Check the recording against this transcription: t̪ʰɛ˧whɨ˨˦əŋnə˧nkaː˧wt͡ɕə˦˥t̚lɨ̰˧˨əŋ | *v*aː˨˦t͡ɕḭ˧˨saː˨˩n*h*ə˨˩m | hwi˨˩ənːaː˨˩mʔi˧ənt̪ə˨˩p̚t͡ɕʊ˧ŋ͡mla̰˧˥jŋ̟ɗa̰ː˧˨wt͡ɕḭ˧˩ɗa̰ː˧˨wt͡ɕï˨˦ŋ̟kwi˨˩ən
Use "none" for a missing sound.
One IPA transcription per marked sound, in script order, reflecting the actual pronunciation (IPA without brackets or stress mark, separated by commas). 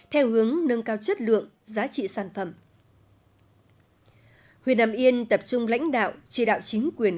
z, f